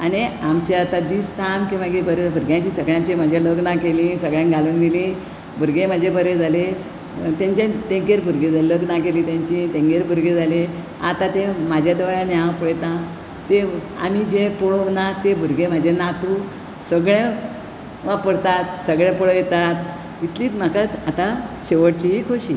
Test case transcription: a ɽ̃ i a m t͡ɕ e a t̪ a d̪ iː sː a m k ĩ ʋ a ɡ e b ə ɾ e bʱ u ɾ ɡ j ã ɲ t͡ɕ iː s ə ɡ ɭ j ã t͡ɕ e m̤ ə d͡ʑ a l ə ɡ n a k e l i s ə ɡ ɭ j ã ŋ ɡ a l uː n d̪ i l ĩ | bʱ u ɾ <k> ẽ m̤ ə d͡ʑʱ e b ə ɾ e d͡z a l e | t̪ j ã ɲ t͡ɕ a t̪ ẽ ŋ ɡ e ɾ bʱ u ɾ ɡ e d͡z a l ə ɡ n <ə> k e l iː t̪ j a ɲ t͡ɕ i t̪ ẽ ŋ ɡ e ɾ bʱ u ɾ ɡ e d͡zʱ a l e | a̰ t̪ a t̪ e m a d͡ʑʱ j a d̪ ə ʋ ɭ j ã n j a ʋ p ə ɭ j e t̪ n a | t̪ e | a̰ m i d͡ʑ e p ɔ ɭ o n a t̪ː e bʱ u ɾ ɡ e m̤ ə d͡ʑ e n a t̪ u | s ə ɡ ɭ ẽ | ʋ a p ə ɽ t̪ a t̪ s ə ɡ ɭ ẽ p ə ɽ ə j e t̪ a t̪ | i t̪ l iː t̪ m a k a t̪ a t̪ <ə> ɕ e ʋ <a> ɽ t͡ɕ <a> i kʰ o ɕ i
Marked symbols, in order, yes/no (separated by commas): no, no, no, no, no